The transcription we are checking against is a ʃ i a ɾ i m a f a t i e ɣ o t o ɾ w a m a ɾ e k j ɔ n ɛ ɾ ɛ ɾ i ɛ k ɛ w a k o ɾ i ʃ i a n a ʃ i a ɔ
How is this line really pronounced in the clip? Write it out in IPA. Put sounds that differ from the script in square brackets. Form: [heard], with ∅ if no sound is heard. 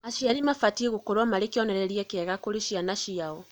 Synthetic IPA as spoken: a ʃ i a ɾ i m a f a t i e ɣ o [k] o ɾ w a m a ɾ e k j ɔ n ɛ ɾ ɛ ɾ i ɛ k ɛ [ɣ] a k o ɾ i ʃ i a n a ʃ i a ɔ